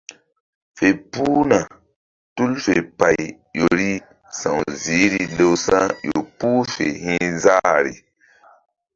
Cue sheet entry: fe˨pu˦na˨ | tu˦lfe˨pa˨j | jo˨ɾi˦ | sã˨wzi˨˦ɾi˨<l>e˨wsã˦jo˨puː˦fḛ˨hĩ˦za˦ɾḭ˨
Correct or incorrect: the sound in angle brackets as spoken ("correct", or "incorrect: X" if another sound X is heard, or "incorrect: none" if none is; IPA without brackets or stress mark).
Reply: correct